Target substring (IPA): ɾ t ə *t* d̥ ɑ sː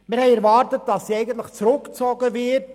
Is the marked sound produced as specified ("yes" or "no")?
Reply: yes